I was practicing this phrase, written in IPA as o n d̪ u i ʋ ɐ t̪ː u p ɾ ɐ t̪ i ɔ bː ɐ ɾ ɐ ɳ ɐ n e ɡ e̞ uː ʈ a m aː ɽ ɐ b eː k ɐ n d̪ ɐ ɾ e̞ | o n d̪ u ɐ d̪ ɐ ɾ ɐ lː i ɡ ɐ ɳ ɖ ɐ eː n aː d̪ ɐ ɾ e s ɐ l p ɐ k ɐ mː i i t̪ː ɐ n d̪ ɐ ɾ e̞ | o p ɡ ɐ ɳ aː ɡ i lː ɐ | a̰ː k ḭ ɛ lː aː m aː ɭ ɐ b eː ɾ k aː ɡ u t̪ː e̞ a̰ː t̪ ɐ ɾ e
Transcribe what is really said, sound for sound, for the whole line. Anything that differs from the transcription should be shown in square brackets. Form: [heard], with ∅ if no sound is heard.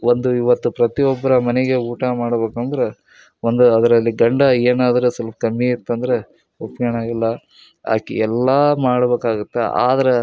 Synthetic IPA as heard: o n d̪ u i ʋ ɐ t̪ː u p ɾ ɐ t̪ i ɔ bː ɐ ɾ ɐ [m] ɐ n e ɡ e̞ uː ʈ a m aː ɽ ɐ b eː k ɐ n d̪ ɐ ɾ e̞ | o n d̪ u ɐ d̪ ɐ ɾ ɐ lː i ɡ ɐ ɳ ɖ ɐ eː n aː d̪ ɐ ɾ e s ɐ l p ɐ k ɐ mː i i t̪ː ɐ n d̪ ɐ ɾ e̞ | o p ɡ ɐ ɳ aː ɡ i lː ɐ | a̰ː k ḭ ɛ lː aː m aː [ɽ] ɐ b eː [∅] k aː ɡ u t̪ː e̞ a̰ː [d̪] ɐ ɾ e